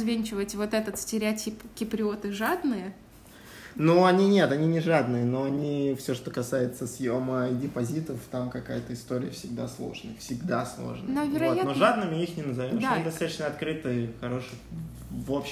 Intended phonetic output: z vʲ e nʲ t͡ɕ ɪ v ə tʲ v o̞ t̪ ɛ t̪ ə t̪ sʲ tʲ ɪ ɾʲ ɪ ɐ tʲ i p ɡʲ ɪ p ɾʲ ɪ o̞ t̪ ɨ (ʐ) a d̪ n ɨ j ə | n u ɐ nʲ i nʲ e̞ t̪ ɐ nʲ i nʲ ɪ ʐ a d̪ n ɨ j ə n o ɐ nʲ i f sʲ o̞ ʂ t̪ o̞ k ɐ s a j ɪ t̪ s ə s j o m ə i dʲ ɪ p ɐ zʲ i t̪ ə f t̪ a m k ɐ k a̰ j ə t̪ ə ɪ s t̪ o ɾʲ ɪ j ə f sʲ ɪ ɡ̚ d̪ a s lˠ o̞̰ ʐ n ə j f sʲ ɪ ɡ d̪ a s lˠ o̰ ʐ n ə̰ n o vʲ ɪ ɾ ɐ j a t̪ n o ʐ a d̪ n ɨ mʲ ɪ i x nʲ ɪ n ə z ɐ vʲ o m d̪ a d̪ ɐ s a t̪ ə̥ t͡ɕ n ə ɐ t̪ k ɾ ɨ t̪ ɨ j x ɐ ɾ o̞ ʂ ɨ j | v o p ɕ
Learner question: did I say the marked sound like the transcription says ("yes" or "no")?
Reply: yes